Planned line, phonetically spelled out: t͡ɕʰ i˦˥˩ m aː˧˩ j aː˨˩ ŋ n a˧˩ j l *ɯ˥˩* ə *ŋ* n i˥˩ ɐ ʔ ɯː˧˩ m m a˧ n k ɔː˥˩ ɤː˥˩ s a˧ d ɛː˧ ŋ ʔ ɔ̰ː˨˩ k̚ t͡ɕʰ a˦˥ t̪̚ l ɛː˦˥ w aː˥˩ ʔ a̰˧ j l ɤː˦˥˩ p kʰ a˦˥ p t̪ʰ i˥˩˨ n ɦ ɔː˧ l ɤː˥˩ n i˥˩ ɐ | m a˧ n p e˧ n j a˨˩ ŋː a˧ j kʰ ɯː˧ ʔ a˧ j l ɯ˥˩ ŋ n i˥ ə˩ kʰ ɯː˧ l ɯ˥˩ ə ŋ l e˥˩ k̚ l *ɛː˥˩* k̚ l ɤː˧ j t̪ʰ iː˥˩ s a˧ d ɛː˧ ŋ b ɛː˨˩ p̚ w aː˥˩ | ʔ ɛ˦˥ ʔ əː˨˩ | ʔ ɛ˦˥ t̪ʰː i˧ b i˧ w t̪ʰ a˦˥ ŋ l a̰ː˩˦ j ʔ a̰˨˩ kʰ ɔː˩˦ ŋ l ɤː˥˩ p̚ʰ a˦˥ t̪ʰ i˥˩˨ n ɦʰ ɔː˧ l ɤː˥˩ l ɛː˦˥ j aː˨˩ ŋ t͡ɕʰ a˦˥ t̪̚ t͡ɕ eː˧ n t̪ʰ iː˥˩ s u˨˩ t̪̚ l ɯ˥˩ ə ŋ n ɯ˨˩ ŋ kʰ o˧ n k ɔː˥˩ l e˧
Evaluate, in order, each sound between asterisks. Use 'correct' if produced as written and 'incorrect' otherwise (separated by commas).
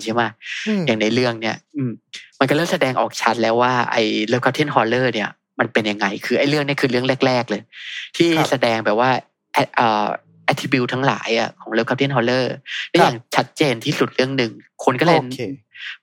correct, correct, correct